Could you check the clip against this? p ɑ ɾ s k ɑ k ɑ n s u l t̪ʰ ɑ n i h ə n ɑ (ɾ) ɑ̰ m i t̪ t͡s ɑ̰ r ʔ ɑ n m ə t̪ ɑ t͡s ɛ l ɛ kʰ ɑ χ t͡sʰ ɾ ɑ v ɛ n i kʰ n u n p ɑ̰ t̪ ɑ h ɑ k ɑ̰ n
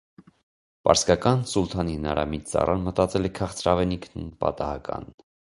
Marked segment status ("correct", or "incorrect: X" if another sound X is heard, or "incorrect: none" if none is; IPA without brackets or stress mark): correct